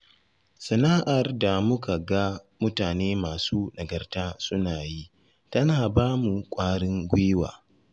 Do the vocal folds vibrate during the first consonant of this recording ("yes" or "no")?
no